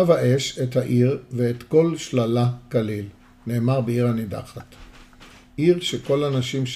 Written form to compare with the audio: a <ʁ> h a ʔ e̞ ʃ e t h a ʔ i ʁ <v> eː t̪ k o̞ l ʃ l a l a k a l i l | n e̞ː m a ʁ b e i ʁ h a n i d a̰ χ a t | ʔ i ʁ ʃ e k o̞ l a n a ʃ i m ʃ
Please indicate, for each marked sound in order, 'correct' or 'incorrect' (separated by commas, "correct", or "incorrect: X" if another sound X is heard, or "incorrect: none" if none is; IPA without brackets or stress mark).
incorrect: v, correct